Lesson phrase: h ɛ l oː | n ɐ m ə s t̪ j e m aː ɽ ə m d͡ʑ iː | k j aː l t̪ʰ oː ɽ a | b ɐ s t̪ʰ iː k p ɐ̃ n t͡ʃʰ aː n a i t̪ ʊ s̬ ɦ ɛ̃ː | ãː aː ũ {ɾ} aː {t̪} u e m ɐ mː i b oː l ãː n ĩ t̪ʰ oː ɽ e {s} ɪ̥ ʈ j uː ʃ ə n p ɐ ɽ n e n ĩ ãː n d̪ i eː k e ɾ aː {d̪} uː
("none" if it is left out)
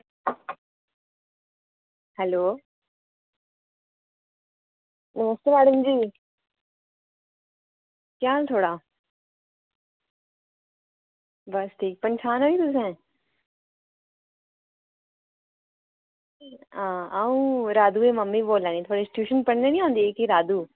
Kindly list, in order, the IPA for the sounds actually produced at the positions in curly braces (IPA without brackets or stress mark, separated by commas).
ɾ, d̪, s, d̪